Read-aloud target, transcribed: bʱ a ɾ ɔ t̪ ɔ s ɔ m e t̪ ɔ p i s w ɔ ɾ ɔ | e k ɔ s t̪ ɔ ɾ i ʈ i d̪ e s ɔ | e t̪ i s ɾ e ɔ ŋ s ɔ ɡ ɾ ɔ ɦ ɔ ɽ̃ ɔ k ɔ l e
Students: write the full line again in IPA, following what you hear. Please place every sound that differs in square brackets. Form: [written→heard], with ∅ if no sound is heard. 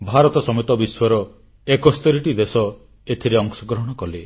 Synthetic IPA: bʱ a ɾ ɔ t̪ ɔ s ɔ m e t̪ ɔ [p→b] i s w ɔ ɾ ɔ | e k ɔ s t̪ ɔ ɾ i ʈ i d̪ e s ɔ | e [t̪→t̪ʰ] i [s→∅] ɾ e ɔ ŋ s ɔ ɡ ɾ ɔ ɦ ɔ ɽ̃ ɔ k ɔ l e